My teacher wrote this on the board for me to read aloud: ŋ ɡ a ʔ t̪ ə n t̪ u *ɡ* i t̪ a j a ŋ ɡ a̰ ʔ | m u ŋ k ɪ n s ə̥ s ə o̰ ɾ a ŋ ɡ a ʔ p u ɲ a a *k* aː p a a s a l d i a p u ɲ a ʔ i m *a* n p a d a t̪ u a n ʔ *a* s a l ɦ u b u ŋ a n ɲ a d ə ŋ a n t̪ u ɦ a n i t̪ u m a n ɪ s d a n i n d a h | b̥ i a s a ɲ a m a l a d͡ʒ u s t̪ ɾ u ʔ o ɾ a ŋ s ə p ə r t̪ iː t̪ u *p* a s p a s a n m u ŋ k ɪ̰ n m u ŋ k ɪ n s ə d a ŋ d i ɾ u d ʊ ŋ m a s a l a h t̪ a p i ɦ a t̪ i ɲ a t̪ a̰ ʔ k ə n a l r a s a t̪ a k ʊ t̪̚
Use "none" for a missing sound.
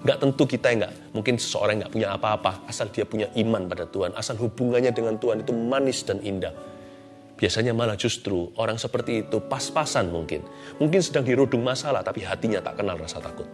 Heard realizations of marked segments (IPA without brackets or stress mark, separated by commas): k, p, a, a, p